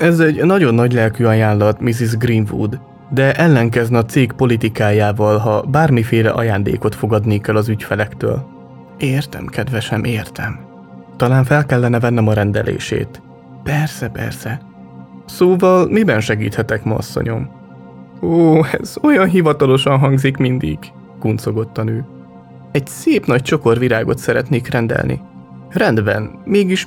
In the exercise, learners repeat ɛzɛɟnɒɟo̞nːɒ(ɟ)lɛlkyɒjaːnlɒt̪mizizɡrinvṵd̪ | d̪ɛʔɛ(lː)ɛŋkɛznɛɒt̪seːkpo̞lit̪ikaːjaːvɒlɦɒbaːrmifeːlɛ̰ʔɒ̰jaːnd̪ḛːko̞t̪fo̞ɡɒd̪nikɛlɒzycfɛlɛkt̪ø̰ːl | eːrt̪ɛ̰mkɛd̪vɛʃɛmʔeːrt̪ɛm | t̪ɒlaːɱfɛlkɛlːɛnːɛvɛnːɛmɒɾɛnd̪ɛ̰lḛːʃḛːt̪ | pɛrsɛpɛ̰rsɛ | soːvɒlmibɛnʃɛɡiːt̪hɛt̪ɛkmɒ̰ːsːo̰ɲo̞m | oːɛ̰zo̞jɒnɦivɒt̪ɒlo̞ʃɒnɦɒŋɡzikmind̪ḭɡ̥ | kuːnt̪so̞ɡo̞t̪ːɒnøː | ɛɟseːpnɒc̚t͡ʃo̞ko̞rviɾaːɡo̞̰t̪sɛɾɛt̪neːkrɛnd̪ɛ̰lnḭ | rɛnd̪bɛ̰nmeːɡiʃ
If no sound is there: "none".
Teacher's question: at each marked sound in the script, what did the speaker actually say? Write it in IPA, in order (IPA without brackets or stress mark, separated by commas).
ɟ, lː